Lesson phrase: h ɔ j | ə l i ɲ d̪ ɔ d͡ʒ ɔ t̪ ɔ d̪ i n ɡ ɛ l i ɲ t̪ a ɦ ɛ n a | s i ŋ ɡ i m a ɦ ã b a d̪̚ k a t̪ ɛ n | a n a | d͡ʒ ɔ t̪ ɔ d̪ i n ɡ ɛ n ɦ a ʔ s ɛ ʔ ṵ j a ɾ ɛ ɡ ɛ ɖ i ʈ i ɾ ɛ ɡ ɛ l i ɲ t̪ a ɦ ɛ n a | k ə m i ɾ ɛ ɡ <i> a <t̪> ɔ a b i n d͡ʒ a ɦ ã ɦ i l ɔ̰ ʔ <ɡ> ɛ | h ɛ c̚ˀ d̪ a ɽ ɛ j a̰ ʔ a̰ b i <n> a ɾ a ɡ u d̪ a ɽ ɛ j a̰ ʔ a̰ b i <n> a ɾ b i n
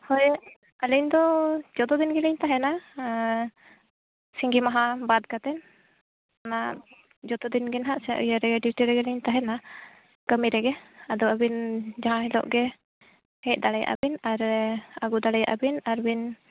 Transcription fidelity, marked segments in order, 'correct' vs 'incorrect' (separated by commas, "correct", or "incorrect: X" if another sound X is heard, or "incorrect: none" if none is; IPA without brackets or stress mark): incorrect: ɛ, incorrect: d̪, correct, correct, correct